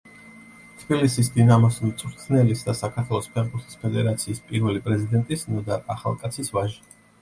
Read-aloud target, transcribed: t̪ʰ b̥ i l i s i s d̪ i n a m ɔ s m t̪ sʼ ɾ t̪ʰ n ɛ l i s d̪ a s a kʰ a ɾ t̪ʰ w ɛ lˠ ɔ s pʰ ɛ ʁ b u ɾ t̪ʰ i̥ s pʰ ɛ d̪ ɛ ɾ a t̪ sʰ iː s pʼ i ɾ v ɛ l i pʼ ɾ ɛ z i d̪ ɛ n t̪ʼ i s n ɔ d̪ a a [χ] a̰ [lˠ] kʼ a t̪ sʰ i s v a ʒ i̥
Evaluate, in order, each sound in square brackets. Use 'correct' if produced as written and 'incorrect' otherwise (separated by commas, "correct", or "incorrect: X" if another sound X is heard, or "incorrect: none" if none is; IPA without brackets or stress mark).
correct, correct